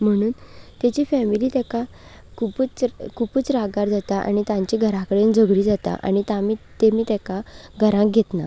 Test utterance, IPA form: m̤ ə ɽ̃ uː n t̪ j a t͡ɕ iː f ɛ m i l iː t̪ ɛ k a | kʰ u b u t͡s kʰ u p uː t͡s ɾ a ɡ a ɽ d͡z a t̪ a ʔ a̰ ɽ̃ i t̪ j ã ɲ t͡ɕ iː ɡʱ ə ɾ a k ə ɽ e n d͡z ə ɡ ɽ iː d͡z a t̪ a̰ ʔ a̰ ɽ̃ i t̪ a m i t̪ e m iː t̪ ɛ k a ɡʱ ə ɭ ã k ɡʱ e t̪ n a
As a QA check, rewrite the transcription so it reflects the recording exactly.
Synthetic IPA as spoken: m̤ ə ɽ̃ uː n t̪ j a t͡ɕ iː f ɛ m i l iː t̪ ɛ k a | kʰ u p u t͡s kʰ u p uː t͡s ɾ a ɡ a ɾ d͡z a t̪ a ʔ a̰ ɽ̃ i t̪ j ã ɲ t͡ɕ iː ɡʱ ə ɾ a k ə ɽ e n d͡z ə ɡ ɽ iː d͡z a t̪ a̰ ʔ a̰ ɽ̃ i t̪ a m i t̪ e m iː t̪ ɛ k a ɡʱ ə ɾ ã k ɡʱ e t̪ n a